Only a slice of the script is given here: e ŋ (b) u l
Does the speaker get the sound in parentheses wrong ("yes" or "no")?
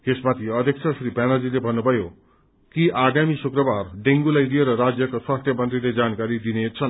yes